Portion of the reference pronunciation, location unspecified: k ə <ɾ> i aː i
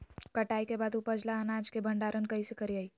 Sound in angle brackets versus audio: correct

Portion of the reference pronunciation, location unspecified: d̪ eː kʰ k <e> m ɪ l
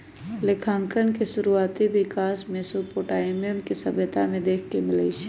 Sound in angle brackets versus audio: correct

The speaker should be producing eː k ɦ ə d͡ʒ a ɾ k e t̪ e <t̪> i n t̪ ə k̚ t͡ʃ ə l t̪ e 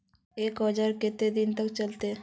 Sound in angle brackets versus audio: incorrect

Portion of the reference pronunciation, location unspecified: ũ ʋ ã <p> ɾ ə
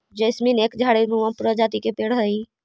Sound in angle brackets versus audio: correct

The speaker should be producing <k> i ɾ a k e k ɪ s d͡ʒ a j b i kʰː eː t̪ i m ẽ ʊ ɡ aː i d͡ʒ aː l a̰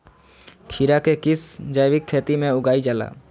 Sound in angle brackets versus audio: incorrect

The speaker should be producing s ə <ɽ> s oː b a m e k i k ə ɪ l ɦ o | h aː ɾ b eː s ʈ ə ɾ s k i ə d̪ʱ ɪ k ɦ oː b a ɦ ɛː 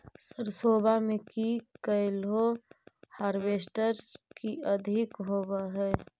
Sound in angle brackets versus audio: incorrect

